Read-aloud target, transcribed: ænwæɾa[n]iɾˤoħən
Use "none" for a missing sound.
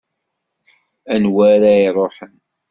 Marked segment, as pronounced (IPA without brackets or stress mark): none